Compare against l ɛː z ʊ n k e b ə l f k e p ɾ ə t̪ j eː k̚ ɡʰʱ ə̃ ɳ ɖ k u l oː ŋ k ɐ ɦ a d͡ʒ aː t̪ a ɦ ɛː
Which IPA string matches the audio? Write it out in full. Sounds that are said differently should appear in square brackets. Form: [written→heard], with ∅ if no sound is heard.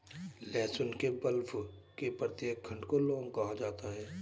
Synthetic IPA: l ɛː [z→s] ʊ n k e b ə l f k e p ɾ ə t̪ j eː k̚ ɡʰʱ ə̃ ɳ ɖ k [u→o] l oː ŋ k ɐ ɦ a d͡ʒ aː t̪ a ɦ ɛː